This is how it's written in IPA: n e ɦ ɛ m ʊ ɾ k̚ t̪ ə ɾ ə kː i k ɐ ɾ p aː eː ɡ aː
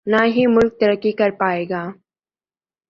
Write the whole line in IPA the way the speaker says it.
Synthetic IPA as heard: n a ɦ i m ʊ l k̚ t̪ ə ɾ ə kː i k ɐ ɾ p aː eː ɡ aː

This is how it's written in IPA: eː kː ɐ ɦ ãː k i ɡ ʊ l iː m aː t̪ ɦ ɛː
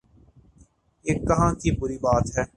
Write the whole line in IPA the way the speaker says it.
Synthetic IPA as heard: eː kː ɐ ɦ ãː k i b ʊ ɾ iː b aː t̪ ɦ ɛː

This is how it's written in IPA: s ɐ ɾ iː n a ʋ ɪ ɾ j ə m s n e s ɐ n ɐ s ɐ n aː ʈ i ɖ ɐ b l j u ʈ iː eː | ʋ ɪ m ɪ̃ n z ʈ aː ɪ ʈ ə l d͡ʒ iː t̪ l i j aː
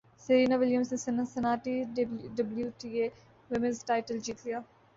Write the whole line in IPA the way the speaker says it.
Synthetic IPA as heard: s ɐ ɾ iː n a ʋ ɪ l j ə m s n e s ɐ n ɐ s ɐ n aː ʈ i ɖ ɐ b l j u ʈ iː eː | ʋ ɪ m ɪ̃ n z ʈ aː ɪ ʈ ə l d͡ʒ iː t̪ l i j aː

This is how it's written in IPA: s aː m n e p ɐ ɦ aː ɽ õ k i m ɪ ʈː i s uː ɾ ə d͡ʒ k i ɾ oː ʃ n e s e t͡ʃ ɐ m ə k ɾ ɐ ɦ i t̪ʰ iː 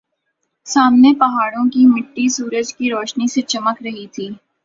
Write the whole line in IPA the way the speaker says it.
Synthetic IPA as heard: s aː m n e p ɐ ɦ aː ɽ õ k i m ɪ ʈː i s uː ɾ ə d͡ʒ k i ɾ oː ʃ n i s e t͡ʃ ɐ m ə k ɾ ɐ ɦ i t̪ʰ iː

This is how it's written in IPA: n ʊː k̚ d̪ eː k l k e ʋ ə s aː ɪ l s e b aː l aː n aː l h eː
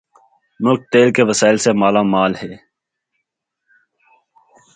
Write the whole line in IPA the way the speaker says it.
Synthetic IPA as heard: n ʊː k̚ t̪ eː l k e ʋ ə s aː ɪ l s e m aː l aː m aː l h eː

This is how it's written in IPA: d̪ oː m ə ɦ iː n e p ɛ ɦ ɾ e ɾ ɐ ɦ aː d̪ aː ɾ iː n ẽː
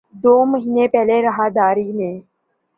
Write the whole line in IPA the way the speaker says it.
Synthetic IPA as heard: d̪ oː m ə ɦ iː n e p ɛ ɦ l e ɾ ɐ ɦ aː d̪ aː ɾ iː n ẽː

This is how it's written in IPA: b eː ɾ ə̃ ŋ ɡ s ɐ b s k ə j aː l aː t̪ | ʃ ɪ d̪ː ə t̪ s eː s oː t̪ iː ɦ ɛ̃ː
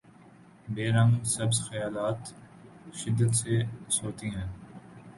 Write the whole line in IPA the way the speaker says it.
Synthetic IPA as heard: b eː ɾ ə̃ ŋ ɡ s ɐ b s x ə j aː l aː t̪ | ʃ ɪ d̪ː ə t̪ s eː s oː t̪ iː ɦ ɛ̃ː

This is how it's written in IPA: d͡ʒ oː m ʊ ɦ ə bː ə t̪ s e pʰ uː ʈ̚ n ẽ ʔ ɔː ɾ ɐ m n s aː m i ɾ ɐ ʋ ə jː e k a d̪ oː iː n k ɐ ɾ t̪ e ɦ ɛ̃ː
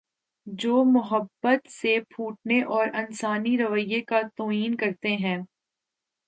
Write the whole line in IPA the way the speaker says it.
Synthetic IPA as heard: d͡ʒ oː m ʊ ɦ ə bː ə t̪ s e pʰ uː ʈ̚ n e ʔ ɔː ɾ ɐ n s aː n i ɾ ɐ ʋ ə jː e k a t̪ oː iː n k ɐ ɾ t̪ e ɦ ɛ̃ː

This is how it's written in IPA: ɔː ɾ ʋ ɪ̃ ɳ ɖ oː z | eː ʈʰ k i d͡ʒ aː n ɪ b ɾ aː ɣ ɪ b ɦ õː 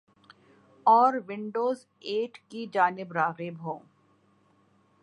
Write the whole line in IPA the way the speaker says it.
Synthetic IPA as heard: ɔː ɾ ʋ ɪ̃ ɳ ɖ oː z | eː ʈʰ k i d͡ʒ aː n ɪ b ɾ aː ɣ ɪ b ɦ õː

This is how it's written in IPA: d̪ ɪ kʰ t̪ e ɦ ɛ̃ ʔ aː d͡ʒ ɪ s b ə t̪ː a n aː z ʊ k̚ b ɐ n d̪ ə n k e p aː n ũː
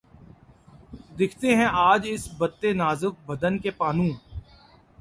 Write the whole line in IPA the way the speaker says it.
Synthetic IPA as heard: d̪ ɪ kʰ t̪ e ɦ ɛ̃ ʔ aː d͡ʒ ɪ s b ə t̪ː e n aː z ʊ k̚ b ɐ d̪ ə n k e p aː n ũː

